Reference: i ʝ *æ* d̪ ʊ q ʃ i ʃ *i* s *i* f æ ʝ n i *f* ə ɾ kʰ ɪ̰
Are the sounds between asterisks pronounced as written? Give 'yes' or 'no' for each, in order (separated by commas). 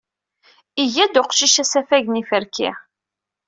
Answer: yes, no, no, yes